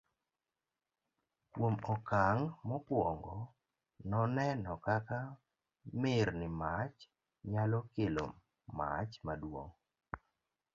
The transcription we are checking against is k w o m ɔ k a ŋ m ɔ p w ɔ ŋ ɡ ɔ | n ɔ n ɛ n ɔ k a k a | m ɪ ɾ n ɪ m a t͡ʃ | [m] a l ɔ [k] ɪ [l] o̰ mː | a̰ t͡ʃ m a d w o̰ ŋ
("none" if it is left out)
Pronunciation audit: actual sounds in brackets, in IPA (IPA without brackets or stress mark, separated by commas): ɲ, k, l